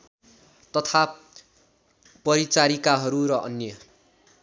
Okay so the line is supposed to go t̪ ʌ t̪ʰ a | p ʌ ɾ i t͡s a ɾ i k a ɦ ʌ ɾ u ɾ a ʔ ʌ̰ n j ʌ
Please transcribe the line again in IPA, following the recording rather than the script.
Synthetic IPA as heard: t̪ ʌ t̪ʰ a | p ʌ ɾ i t͡s a ɾ i k a ɦ ʌ ɾ u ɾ ʌ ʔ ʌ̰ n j ʌ